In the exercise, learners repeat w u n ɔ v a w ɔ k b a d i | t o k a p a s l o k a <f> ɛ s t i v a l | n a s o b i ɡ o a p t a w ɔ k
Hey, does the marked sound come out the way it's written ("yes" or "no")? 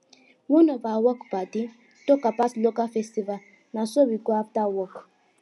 yes